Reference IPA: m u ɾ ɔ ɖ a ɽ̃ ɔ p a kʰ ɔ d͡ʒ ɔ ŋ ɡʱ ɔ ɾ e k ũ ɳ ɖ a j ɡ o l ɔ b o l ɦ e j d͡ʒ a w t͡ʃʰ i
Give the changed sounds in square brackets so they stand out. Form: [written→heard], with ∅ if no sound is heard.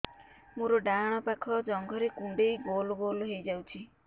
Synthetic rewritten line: m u ɾ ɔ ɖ a ɽ̃ ɔ p a kʰ ɔ d͡ʒ ɔ ŋ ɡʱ ɔ ɾ e k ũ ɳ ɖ [a→e] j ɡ o l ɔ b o l ɦ e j d͡ʒ a w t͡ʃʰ i